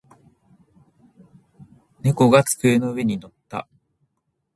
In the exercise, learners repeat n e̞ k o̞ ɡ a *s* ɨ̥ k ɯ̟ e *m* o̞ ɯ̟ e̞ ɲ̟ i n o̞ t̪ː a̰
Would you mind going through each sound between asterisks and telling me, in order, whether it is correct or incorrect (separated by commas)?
incorrect, incorrect